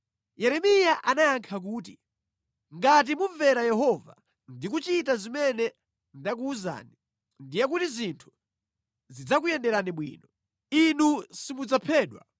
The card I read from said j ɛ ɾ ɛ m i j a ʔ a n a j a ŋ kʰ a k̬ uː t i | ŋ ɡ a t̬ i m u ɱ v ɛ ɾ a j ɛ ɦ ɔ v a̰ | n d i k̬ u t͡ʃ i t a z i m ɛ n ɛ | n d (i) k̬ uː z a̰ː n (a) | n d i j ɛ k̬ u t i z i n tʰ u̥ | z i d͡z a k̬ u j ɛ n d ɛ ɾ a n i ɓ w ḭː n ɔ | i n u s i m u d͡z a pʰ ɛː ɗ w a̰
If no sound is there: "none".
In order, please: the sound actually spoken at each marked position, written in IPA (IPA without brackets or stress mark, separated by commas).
a, i